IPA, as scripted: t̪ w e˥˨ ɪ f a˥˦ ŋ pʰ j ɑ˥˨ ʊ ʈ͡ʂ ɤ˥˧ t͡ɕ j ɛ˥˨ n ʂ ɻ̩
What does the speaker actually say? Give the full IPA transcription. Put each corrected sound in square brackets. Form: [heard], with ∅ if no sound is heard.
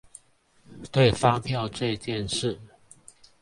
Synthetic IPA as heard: t̪ w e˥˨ ɪ f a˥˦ ŋ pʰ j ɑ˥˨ ʊ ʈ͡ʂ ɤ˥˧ t͡ɕ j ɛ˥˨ n ʂ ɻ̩